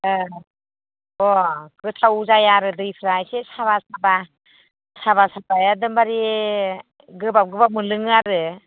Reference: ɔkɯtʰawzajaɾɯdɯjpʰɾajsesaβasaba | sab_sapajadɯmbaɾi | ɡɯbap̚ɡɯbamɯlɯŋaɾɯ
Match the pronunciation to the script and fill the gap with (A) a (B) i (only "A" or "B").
A